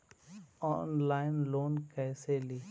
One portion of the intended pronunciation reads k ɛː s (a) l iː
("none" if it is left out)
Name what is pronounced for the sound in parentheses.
e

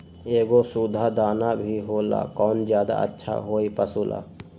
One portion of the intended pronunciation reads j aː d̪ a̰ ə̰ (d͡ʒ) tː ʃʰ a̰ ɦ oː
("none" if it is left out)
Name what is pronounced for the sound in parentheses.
none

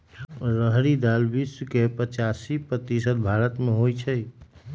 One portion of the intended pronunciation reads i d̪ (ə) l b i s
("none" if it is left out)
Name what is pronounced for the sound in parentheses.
a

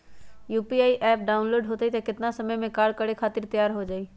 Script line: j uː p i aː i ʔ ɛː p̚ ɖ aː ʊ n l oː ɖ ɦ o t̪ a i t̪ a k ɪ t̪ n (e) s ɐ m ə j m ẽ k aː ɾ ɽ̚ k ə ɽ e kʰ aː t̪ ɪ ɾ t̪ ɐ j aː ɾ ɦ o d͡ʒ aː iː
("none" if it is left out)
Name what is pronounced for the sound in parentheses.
a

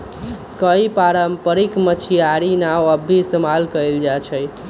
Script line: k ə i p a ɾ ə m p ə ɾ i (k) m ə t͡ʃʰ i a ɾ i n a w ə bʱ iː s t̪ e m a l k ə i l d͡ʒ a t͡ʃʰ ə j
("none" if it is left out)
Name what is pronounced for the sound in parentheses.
k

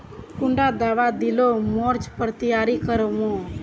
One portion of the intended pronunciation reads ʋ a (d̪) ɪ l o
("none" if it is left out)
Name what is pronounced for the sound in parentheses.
d̪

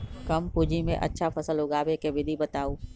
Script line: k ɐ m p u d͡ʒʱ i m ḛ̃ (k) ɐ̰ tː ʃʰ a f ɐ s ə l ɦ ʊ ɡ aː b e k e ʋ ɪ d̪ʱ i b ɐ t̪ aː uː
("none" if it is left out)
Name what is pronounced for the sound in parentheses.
ʔ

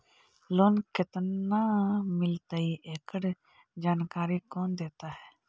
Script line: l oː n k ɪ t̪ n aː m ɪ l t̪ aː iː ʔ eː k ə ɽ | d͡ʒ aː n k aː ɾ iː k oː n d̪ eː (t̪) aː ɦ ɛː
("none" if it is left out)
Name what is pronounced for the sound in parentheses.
t̪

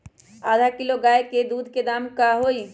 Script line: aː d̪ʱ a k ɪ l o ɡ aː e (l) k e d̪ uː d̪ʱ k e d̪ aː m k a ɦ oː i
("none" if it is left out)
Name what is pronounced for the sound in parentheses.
none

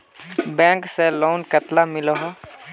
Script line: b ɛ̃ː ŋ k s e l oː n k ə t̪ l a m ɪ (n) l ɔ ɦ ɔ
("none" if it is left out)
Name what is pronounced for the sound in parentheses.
none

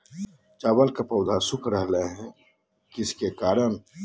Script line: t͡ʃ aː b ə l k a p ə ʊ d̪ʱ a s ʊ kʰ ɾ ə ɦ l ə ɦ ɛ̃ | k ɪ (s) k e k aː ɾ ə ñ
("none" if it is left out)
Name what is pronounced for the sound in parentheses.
s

